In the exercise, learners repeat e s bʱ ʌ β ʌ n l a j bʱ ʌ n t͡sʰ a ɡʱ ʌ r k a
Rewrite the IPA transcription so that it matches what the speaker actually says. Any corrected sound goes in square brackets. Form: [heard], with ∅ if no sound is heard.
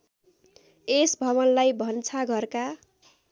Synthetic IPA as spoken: e s bʱ ʌ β ʌ n l a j bʱ ʌ n t͡sʰ a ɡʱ ʌ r k a